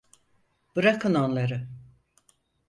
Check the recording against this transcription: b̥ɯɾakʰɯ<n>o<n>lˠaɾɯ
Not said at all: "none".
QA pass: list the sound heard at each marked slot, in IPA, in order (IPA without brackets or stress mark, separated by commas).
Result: n, n